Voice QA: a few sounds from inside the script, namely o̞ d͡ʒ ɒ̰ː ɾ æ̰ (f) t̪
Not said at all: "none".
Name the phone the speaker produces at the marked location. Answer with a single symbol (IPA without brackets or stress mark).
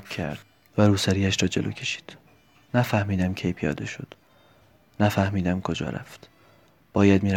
f